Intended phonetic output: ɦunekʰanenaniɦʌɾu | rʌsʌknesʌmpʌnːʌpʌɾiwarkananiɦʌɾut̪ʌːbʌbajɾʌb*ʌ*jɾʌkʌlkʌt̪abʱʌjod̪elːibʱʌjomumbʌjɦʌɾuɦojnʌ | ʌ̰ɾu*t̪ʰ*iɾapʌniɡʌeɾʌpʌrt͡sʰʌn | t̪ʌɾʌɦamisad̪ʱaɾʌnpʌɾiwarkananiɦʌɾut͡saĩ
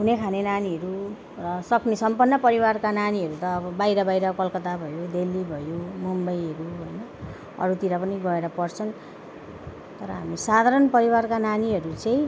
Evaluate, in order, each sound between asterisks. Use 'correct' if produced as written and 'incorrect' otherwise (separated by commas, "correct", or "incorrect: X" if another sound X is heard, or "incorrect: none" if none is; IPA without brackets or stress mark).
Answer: incorrect: a, incorrect: t̪